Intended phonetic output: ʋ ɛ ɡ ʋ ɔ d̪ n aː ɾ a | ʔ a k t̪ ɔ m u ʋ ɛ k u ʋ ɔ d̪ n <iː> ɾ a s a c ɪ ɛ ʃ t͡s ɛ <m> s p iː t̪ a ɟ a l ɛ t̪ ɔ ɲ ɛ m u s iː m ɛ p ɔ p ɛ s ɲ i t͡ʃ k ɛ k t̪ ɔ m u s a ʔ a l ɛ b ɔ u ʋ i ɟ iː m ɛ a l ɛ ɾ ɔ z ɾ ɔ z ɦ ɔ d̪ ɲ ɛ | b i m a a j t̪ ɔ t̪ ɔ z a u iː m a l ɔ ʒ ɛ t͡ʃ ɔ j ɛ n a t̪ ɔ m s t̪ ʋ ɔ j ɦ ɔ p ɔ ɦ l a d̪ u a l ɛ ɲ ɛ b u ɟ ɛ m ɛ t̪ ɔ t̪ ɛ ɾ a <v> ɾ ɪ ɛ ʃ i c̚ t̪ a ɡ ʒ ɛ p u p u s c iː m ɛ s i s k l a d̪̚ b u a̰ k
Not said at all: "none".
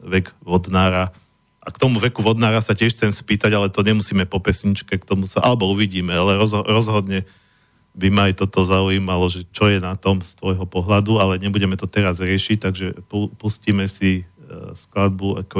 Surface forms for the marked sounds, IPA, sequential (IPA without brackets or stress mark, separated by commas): aː, m, z